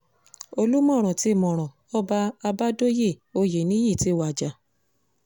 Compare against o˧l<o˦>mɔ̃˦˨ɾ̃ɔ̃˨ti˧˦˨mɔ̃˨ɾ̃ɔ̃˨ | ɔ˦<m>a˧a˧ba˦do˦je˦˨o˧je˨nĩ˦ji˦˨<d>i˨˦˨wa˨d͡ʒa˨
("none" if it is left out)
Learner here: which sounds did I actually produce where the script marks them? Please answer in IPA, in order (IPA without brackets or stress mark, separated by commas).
u˦, b, t